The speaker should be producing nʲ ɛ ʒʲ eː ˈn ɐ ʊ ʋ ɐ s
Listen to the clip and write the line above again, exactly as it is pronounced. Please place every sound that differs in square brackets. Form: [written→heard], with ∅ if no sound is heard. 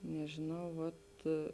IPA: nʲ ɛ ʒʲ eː ˈn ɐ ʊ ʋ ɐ [s→t]